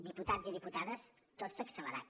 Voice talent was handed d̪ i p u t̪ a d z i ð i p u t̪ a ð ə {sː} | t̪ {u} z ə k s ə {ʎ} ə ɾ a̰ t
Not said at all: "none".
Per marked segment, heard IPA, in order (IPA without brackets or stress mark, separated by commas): s, o, l